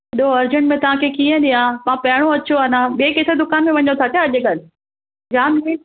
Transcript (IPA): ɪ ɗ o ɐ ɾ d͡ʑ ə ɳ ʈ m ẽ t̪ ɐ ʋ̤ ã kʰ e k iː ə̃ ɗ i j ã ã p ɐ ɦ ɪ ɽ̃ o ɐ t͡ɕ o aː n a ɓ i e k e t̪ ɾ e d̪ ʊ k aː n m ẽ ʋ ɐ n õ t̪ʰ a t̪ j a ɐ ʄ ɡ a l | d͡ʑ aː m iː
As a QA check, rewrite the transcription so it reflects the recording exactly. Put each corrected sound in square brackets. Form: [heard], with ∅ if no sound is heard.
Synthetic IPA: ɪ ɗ o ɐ ɾ d͡ʑ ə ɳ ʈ m ẽ t̪ ɐ ʋ̤ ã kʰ e k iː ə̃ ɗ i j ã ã p ɐ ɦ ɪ ɽ̃ o ɐ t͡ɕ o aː n a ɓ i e k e t̪ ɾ e d̪ ʊ k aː n m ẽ ʋ ɐ [ɲ] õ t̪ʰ a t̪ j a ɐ ʄ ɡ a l | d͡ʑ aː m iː